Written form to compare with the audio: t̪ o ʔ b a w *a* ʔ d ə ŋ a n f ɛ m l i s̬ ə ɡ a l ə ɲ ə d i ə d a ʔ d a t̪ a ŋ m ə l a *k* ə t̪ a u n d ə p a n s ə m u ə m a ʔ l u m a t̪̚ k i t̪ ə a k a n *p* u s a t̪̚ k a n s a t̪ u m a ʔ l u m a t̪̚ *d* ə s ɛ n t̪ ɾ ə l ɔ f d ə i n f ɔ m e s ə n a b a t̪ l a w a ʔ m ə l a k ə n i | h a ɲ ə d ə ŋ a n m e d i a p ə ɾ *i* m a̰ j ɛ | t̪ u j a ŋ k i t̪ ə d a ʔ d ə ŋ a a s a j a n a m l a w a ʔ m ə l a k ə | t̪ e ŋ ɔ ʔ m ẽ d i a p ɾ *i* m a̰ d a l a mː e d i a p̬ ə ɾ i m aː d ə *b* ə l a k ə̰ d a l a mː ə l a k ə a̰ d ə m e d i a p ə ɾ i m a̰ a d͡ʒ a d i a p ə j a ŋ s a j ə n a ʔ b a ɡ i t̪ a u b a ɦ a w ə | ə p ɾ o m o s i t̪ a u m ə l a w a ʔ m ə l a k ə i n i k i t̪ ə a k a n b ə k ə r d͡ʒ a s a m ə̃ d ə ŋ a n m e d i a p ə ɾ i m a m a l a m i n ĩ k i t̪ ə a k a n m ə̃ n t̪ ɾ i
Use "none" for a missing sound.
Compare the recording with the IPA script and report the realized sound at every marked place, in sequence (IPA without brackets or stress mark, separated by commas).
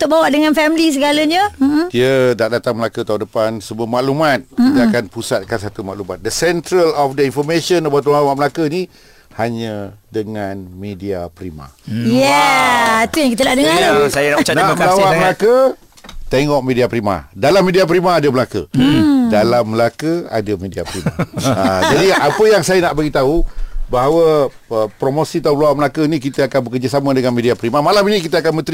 a, k, p, d, i, i, m